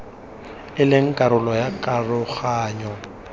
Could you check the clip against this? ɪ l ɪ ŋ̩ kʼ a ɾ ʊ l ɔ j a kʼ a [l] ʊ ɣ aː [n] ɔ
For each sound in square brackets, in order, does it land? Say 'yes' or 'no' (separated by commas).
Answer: no, no